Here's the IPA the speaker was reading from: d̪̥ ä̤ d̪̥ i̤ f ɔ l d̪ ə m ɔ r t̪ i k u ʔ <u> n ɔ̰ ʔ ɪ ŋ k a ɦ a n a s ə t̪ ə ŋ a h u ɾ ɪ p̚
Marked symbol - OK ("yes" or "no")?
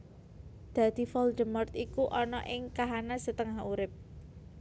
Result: no